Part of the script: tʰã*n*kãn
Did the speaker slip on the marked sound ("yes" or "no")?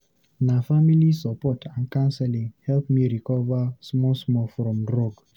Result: no